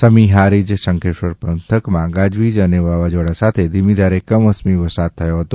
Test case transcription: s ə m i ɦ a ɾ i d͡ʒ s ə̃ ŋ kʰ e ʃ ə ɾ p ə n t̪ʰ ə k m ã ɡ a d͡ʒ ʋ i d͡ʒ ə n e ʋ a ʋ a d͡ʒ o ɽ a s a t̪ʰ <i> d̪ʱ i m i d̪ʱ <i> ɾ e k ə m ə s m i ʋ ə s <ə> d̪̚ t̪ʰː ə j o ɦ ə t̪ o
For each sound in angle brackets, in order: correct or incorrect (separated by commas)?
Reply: incorrect, incorrect, incorrect